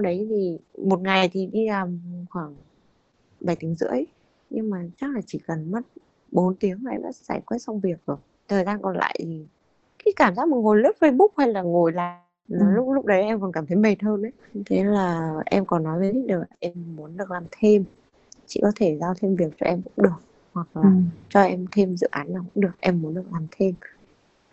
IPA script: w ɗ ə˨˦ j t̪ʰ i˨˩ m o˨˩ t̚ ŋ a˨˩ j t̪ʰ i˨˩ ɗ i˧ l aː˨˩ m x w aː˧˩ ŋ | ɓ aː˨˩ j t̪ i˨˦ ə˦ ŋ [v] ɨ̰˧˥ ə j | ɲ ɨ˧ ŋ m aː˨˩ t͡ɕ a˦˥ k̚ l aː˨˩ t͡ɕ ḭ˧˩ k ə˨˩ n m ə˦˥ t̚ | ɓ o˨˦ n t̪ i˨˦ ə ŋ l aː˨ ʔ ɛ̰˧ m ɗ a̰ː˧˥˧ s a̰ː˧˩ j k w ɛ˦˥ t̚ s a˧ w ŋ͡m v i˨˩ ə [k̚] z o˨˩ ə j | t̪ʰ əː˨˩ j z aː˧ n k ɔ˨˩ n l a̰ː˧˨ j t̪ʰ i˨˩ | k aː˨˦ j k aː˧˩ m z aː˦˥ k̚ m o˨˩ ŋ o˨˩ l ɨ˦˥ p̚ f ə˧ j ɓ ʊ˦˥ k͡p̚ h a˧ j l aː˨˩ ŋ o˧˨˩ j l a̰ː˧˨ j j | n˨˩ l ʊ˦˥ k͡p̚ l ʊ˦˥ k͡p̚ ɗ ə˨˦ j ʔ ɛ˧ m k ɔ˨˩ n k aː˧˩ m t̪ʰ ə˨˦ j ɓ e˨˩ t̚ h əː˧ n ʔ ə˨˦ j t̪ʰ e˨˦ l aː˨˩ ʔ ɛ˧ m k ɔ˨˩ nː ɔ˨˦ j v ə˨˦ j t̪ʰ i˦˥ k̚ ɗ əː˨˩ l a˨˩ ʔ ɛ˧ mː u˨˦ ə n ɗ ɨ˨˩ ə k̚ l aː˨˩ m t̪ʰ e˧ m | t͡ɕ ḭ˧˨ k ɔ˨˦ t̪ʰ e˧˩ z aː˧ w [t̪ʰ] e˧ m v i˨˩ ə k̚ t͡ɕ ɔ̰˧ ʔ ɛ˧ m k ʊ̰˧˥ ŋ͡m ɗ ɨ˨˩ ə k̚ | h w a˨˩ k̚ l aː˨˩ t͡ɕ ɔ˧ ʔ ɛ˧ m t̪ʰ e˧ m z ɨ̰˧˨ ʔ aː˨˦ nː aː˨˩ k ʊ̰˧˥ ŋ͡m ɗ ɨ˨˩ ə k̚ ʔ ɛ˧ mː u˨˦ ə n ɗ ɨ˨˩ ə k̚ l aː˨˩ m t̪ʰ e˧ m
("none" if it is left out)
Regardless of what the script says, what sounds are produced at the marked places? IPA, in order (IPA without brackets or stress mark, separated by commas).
z, k̚, t̪ʰ